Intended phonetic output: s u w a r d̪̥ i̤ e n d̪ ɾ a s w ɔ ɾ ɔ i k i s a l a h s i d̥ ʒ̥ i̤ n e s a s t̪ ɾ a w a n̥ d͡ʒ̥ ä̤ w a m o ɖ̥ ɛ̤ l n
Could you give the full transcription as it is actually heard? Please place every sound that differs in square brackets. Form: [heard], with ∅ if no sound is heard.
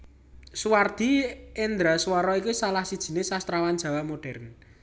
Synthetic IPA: s u w a r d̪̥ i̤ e n d̪ ɾ a s w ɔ ɾ ɔ i k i s a l a h s i d̥ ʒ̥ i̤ n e s a s t̪ ɾ a w a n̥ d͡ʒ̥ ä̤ w a m o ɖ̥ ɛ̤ [r] n